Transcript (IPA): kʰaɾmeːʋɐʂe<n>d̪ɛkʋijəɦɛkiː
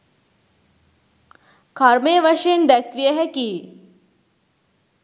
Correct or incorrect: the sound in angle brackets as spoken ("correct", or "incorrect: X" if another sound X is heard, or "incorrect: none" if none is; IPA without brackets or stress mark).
correct